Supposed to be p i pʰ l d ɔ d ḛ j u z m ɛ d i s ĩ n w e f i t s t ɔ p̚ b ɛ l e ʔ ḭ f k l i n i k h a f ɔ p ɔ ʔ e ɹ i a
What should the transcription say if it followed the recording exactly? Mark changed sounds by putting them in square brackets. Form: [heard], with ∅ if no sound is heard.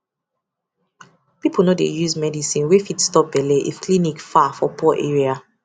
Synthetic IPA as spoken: p i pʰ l [n] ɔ d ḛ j u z m ɛ d i s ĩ n w e f i t s t ɔ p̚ b ɛ l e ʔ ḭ f k l i n i k [f] a f ɔ p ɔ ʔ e ɹ i a